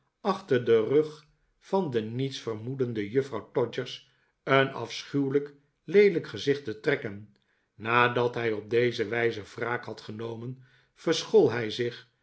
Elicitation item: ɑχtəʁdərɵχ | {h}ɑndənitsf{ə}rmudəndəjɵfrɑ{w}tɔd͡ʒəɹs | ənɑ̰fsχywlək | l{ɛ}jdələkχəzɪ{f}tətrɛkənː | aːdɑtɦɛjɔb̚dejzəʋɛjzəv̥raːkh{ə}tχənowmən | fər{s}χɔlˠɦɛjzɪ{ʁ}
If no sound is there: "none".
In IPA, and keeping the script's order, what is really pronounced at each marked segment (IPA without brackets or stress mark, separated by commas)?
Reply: f, ə, w, e, χ, ɑ, s, χ